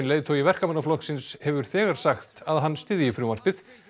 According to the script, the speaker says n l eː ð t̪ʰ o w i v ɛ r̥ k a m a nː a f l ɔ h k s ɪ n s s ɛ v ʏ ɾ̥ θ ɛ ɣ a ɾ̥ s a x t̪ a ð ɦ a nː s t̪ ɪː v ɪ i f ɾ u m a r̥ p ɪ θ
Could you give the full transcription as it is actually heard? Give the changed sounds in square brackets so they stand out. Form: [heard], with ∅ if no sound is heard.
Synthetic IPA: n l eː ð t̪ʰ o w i v ɛ r̥ k a m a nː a f l ɔ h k s ɪ n s [h] ɛ v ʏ ɾ̥ θ [ɛː] ɣ a ɾ̥ s a x t̪ a ð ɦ a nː s t̪ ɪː [ð] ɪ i f ɾ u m a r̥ p ɪ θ